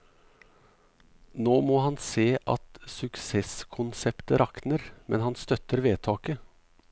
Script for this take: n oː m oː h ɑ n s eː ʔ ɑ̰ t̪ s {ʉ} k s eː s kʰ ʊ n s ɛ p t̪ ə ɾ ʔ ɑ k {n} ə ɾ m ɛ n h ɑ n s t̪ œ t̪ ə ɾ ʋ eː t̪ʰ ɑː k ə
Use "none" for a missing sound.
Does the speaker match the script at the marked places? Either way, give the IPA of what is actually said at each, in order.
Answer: ʉ, n

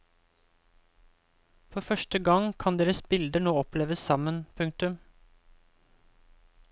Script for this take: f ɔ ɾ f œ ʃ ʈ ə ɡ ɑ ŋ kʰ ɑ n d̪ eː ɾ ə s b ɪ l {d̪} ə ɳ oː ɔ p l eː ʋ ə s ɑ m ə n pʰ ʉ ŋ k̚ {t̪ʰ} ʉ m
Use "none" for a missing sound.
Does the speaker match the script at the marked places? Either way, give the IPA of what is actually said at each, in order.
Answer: d̪, t̪

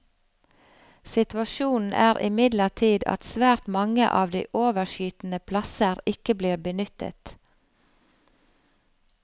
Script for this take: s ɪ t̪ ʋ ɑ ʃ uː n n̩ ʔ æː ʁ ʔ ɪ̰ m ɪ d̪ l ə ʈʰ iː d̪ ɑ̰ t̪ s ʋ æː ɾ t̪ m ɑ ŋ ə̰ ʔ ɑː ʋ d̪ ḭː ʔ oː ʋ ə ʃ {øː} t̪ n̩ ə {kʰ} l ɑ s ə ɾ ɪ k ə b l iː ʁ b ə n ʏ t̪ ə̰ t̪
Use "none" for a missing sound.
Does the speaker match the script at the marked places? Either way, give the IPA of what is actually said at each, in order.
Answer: yː, pʰ

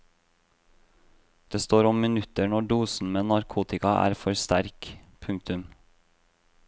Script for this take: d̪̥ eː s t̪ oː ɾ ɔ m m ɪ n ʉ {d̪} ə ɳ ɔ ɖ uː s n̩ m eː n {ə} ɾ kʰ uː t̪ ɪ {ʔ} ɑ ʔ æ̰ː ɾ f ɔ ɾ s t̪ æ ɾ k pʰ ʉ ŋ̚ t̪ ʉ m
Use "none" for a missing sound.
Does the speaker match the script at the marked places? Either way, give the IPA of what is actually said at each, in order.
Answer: t̪, ɑ, k

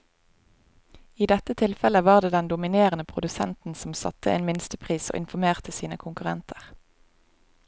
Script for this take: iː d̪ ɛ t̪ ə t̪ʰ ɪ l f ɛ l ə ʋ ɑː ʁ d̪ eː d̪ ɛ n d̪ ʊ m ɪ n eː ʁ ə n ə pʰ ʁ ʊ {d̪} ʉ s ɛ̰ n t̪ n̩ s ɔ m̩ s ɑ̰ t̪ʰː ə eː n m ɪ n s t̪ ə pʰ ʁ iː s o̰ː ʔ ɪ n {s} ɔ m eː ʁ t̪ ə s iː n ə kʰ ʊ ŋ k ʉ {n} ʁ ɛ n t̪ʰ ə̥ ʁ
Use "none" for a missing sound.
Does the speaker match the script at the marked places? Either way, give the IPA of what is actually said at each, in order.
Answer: d̪, f, none

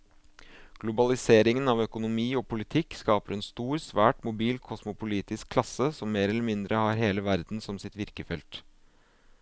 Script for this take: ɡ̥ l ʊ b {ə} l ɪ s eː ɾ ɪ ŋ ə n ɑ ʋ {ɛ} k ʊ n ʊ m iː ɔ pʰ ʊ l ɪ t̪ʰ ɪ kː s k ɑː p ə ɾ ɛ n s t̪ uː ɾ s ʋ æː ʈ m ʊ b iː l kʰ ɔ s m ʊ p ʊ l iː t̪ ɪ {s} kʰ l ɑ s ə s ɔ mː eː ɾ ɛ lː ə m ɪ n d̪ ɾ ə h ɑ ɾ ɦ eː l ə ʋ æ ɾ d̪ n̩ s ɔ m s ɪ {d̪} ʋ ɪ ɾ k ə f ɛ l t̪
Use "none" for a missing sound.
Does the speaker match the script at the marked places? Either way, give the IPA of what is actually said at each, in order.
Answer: ɑ, œ, s, t̪

